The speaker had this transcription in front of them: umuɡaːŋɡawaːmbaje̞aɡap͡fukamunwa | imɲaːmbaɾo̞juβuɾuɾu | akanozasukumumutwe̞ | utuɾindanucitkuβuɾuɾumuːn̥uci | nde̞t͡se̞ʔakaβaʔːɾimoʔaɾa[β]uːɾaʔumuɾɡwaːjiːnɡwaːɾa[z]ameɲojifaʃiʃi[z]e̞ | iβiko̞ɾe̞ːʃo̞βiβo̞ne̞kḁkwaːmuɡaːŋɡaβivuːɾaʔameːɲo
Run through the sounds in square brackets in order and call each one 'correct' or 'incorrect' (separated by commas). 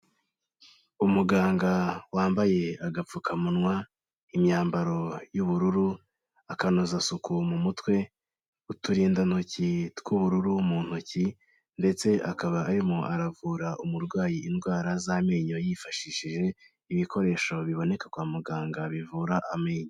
incorrect, correct, incorrect